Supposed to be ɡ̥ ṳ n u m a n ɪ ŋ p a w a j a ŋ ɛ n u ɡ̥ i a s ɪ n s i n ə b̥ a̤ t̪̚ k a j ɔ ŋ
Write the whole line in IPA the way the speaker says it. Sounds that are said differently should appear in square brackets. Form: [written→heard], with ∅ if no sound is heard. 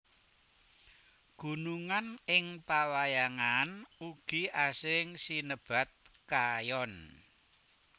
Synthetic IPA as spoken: ɡ̥ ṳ n u [m→ŋ] a n ɪ ŋ p a w a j a ŋ [ɛ→a] n u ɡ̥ i a s ɪ [n→ŋ] s i n ə b̥ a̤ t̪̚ k a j ɔ [ŋ→n]